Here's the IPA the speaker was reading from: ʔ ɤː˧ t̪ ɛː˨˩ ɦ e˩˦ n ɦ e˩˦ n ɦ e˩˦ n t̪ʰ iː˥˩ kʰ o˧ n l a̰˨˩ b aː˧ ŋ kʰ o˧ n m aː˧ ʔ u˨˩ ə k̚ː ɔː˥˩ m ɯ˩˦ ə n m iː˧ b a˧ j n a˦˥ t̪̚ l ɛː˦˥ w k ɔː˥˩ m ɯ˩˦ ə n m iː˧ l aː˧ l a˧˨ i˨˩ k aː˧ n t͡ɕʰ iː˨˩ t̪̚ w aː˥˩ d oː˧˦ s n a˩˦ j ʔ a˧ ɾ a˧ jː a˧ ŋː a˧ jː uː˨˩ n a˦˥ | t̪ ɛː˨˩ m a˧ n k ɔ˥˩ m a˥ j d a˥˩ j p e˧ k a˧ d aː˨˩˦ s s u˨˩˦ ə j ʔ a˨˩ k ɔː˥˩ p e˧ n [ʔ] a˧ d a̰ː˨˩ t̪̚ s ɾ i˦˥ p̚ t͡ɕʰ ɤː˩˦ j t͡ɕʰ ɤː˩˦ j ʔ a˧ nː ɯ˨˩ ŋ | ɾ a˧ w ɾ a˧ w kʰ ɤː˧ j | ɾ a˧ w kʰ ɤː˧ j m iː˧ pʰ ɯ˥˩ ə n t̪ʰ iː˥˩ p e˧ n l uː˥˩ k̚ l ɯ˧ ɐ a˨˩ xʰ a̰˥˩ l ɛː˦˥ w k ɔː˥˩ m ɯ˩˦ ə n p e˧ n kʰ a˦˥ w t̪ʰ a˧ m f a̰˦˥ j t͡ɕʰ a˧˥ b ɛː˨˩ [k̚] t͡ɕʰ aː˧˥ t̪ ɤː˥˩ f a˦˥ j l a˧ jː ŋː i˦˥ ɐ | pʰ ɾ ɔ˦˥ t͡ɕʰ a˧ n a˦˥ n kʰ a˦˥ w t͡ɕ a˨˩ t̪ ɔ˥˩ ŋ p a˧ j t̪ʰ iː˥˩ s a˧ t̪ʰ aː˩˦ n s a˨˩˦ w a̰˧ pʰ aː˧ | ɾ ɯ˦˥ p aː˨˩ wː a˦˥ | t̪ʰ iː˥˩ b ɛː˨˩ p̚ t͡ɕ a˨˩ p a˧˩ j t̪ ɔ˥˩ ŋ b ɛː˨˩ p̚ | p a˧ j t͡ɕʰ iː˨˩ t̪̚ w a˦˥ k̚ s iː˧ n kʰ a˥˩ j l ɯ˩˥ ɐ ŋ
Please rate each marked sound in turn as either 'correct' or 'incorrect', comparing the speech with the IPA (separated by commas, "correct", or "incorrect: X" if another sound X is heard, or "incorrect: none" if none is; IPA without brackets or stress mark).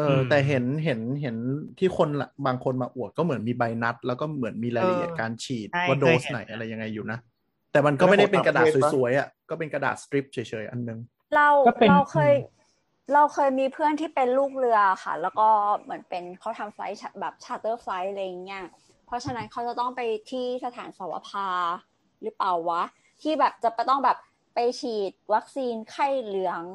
incorrect: k, incorrect: p̚